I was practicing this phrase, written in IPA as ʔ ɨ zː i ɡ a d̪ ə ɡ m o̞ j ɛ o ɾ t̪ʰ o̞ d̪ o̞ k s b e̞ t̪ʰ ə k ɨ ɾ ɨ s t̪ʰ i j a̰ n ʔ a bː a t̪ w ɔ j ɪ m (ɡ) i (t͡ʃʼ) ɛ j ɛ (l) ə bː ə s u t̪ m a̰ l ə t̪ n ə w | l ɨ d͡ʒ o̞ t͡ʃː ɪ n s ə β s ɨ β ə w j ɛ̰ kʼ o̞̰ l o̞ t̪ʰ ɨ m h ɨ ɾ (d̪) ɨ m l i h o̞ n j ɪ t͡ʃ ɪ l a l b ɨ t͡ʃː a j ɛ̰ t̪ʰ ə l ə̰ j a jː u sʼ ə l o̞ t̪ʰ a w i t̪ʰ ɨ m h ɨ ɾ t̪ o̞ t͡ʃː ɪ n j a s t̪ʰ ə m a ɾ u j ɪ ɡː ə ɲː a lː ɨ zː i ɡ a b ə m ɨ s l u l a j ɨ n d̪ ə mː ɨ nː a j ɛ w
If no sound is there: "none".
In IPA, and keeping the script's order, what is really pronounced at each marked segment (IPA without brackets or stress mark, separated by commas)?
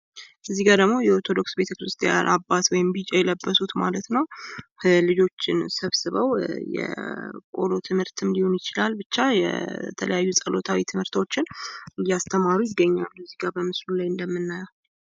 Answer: b, t͡ʃʼ, l, t̪